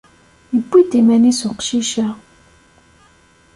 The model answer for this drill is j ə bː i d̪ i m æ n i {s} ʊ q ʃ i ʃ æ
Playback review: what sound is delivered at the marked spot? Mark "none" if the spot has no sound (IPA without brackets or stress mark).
s